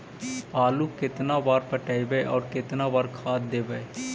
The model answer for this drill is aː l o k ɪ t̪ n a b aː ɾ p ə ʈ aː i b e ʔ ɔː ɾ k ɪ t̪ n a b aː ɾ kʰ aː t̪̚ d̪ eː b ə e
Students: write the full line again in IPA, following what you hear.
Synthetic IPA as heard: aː l u k ɪ t̪ n a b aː ɾ p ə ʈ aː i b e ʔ ɔː ɾ k ɪ t̪ n a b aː ɾ kʰ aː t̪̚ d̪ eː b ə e